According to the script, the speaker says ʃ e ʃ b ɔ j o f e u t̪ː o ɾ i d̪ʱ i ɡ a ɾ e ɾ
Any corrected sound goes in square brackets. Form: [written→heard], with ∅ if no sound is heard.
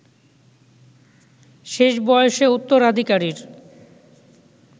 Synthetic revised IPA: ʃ e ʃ b ɔ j o [f→ʃ] e u t̪ː o ɾ [i→a] d̪ʱ i [ɡ→k] a ɾ [e→i] ɾ